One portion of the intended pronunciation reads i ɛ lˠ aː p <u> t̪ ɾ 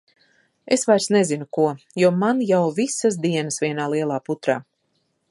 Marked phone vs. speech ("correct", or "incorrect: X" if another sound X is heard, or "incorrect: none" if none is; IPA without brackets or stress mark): correct